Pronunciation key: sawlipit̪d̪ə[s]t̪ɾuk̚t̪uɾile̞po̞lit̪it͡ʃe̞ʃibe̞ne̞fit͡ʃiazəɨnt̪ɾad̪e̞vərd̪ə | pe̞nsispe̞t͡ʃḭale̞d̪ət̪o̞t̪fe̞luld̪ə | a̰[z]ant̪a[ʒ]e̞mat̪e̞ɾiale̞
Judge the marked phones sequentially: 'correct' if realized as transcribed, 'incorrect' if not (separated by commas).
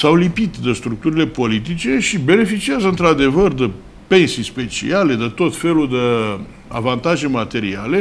correct, incorrect, correct